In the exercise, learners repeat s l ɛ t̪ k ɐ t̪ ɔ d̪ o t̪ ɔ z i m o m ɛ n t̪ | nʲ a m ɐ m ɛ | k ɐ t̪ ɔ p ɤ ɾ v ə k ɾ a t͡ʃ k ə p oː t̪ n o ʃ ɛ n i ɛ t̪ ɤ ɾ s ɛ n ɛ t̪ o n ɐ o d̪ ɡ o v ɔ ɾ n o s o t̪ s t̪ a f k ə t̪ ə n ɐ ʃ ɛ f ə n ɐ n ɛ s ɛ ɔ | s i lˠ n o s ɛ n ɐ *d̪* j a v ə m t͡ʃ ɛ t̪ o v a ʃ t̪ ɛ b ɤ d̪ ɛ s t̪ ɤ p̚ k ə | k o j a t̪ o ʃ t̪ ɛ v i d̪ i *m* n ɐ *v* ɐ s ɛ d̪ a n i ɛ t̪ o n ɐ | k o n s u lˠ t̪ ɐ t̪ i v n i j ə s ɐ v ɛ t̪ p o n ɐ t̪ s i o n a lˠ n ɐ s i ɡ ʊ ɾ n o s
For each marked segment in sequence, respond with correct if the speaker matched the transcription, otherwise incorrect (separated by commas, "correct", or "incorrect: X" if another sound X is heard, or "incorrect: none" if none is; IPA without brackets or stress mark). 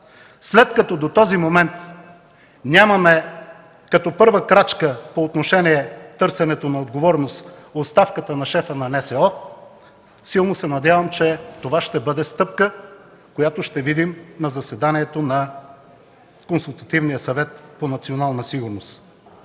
correct, correct, incorrect: z